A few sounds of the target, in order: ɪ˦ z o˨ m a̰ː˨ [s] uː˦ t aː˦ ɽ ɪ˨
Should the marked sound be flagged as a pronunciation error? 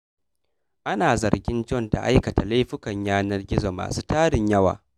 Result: no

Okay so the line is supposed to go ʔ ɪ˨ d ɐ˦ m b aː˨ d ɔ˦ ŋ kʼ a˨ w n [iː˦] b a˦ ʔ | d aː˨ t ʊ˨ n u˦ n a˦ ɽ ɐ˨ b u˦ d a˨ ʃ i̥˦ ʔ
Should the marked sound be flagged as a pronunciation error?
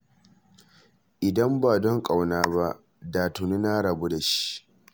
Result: yes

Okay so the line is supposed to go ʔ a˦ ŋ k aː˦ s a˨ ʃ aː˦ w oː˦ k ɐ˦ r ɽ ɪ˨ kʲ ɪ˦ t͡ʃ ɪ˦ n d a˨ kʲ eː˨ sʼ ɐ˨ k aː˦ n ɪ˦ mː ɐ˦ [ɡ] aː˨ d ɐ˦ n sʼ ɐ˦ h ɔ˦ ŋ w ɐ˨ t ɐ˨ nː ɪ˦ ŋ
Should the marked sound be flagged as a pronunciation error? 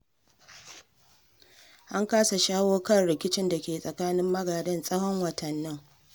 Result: no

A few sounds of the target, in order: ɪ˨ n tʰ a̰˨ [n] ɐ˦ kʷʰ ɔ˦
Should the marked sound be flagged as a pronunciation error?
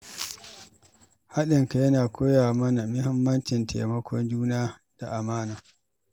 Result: yes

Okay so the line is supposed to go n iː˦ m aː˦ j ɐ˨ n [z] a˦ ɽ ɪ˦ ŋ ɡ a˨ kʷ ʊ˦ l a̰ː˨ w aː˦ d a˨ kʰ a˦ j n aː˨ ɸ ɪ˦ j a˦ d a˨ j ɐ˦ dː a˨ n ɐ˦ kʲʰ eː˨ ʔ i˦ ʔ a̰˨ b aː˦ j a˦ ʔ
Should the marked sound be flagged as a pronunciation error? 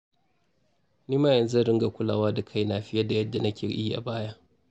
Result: no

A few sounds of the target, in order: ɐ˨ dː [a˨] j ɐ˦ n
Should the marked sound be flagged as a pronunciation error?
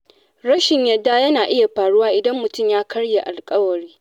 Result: yes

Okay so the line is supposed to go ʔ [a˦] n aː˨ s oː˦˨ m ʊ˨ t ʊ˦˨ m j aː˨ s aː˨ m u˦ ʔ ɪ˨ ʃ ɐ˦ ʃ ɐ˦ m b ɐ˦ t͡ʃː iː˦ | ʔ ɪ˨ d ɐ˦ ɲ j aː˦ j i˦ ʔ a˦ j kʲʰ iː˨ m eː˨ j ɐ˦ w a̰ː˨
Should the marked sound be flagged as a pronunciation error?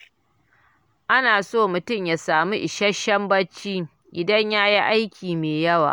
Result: no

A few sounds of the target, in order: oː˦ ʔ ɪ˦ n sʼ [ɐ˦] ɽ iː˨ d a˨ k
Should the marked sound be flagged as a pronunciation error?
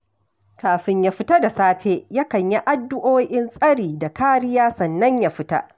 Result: no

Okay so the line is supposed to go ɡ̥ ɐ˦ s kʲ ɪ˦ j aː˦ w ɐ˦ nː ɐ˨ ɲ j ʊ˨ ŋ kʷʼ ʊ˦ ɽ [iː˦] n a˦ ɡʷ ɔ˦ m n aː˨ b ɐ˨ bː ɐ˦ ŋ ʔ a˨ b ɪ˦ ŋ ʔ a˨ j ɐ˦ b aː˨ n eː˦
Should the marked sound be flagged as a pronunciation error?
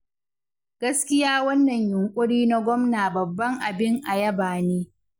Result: no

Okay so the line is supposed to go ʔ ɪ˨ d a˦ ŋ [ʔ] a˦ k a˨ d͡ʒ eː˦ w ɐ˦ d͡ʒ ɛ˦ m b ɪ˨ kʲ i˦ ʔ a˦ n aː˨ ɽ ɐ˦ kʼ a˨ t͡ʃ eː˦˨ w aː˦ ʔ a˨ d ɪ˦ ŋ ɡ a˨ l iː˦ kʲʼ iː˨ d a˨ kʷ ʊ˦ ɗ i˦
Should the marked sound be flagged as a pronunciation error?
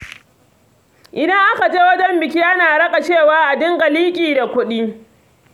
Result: no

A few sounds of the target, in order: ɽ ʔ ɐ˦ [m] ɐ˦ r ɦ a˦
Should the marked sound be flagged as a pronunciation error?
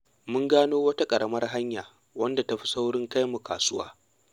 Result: no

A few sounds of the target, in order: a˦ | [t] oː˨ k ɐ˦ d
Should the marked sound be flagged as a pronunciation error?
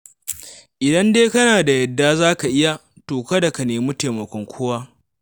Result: no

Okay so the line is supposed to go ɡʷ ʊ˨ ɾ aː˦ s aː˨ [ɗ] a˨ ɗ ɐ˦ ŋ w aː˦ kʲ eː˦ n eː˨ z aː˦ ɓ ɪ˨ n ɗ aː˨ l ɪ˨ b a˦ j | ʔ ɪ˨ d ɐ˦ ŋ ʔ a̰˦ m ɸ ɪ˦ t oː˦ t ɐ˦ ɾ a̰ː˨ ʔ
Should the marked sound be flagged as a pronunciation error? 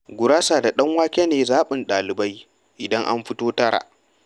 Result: yes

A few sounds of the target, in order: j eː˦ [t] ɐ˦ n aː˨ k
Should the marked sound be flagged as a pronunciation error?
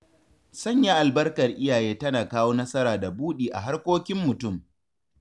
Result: no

